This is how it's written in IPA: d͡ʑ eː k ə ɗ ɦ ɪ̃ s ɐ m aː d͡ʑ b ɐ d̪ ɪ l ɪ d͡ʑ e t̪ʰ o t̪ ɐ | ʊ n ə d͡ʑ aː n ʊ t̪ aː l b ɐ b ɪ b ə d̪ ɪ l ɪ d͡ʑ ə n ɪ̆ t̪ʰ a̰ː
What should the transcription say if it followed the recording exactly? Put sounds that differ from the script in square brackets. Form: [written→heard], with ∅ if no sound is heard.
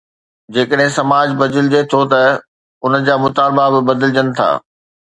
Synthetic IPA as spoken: d͡ʑ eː k ə ɗ ɦ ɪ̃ s ɐ m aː d͡ʑ b ɐ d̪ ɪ l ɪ d͡ʑ e t̪ʰ o t̪ ɐ | ʊ n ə d͡ʑ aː [n→m] ʊ t̪ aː l b [ɐ→a] b ɪ b [ə→ɐ] d̪ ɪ l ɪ d͡ʑ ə n ɪ̆ t̪ʰ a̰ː